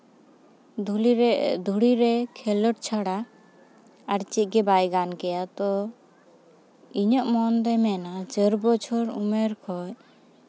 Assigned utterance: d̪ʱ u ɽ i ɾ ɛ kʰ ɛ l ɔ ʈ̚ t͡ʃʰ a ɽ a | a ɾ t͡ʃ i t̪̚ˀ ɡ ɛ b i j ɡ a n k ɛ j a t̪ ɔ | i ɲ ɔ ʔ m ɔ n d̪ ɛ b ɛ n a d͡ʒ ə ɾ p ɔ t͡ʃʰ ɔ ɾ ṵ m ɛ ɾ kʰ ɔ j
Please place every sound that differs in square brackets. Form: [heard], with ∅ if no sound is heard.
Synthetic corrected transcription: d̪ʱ u ɽ i ɾ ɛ kʰ ɛ l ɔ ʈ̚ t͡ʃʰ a ɽ a | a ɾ t͡ʃ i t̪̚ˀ ɡ ɛ b [a] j ɡ a n k ɛ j a t̪ ɔ | i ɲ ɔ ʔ m ɔ n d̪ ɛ [m] ɛ n a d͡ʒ ə ɾ [b] ɔ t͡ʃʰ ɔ ɾ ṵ m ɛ ɾ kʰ ɔ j